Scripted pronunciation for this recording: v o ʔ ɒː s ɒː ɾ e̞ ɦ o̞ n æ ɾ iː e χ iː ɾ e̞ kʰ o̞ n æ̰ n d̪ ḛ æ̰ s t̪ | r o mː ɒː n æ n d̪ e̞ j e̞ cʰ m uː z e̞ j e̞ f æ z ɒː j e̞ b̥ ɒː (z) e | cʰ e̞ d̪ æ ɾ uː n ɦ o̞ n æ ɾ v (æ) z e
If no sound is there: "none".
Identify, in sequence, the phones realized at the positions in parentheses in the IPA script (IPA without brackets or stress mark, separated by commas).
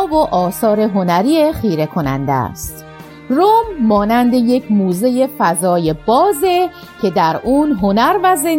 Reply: z, æ